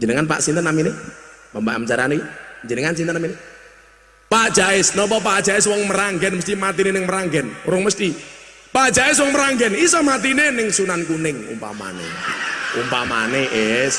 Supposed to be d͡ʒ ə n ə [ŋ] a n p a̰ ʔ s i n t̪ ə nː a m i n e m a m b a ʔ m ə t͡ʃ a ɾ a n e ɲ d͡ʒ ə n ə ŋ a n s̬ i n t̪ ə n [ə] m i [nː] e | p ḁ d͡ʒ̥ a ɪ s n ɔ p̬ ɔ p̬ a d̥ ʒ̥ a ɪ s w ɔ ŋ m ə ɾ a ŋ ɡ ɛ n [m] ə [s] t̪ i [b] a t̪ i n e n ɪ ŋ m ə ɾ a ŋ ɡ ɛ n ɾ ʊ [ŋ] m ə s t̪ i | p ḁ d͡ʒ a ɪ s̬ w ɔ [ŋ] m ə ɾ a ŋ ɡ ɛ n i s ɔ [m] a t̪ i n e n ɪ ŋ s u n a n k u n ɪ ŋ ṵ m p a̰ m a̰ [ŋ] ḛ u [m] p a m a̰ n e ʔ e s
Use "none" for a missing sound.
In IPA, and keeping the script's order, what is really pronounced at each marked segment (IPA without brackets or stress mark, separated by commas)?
ŋ, a, n, m, s, m, ŋ, ŋ, m, n, m